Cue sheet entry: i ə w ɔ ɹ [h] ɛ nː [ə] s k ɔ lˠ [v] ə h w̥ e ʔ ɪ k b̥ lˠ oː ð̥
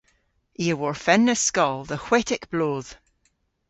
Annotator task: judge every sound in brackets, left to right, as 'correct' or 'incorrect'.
incorrect: f, correct, incorrect: ð

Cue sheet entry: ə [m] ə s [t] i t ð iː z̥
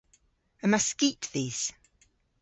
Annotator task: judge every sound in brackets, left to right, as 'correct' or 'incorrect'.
correct, incorrect: k

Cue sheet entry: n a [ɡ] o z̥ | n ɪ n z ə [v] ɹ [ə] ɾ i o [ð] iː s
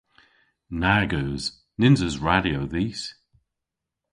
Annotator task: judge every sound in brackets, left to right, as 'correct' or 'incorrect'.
correct, incorrect: z, incorrect: a, correct

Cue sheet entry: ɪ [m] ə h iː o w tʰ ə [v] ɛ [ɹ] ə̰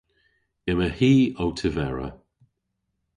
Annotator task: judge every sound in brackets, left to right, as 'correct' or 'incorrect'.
correct, correct, correct

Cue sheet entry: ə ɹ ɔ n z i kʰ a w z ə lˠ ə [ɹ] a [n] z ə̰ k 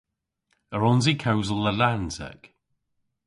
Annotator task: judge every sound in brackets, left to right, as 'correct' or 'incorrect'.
incorrect: l, correct

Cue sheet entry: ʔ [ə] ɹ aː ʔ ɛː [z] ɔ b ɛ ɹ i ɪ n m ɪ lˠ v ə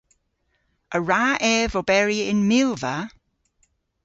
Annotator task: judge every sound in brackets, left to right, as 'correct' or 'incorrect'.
correct, incorrect: v

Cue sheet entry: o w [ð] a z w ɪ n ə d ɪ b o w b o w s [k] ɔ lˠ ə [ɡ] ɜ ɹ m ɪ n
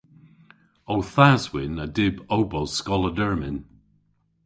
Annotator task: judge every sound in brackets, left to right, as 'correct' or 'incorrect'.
incorrect: θ, correct, incorrect: d

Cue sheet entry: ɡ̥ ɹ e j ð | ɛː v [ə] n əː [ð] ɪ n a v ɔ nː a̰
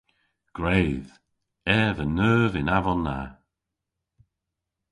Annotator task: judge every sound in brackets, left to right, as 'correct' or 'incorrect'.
correct, incorrect: v

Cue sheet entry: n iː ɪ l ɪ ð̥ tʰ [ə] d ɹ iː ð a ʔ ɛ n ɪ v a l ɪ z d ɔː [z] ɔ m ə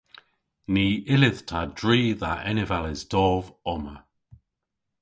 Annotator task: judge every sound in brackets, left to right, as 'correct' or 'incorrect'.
incorrect: a, incorrect: v

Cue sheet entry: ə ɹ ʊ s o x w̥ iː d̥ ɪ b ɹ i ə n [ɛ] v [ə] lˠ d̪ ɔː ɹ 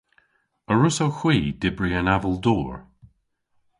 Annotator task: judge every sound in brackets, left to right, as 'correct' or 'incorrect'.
incorrect: a, correct

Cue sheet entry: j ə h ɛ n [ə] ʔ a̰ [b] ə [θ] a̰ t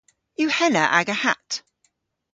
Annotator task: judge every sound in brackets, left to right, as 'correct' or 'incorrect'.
correct, incorrect: ɡ, incorrect: h

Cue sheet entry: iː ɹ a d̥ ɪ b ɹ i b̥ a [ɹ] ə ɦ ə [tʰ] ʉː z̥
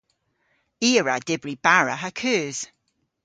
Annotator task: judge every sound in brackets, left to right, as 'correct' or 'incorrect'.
correct, incorrect: kʰ

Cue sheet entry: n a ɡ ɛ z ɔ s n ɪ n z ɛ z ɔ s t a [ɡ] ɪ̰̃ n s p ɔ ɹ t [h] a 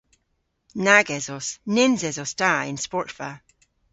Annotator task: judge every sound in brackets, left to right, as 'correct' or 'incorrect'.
incorrect: none, incorrect: f

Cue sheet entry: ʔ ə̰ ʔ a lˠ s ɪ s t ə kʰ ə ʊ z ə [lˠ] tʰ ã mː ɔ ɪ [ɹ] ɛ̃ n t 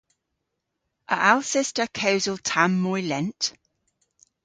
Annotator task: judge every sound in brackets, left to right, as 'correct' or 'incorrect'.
correct, incorrect: l

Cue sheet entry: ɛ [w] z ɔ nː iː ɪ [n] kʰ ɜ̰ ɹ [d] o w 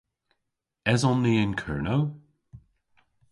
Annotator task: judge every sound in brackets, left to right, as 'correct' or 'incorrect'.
incorrect: none, correct, incorrect: n

